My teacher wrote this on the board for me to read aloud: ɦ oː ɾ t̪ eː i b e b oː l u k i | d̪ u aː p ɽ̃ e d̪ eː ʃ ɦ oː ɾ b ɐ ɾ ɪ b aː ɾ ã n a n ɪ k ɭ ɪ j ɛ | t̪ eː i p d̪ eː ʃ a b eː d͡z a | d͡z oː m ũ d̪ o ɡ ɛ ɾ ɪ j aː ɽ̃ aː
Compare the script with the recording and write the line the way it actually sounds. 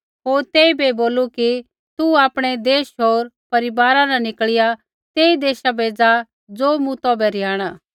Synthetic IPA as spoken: ɦ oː ɾ t̪ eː i b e b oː l u k i | t̪ u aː p ɽ̃ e d̪ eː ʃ ɦ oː ɾ p ɐ ɾ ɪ b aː ɾ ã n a n ɪ k ɭ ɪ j a | t̪ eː i d̪ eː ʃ a b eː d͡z a | d͡z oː m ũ t̪ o b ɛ ɾ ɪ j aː ɽ̃ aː

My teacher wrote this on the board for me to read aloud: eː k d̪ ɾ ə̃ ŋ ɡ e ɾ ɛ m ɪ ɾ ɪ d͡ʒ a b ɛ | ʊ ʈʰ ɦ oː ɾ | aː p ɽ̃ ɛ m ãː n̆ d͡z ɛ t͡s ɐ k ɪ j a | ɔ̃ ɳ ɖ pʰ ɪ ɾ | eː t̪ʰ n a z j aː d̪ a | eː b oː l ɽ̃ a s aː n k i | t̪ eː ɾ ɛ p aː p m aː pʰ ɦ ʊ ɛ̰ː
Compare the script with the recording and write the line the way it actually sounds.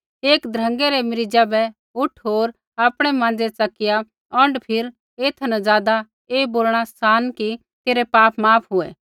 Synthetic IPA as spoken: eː k d̪ ɾ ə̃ ŋ ɡ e ɾ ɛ m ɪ ɾ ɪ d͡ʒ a b ɛ | ʊ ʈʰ ɦ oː ɾ | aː p ɽ̃ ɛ m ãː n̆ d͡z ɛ t͡s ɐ k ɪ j a | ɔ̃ ɳ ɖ pʰ ɪ ɾ | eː t̪ʰ n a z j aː d̪ a | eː b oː l ɽ̃ a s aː n k i | t̪ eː ɾ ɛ p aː p m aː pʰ ɦ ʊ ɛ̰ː

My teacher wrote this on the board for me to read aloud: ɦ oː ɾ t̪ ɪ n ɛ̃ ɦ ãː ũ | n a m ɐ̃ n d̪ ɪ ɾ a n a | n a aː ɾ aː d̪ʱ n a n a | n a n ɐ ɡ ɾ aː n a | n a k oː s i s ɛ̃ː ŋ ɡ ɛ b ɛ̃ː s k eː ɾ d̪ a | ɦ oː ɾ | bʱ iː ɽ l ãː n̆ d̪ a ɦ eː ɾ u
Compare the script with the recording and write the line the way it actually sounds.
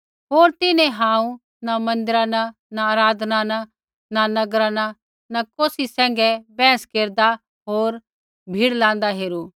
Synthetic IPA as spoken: ɦ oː ɾ t̪ ɪ n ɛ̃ ɦ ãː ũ | n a m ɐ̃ n d̪ ɪ ɾ a n a | n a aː ɾ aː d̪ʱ n a n a | n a n ɐ ɡ ɾ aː n a | n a k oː s i s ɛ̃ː ŋ ɡ ɛ b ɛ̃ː s k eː ɾ d̪ a | ɦ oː ɾ | bʱ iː ɽ l ãː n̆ d̪ a ɦ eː ɾ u

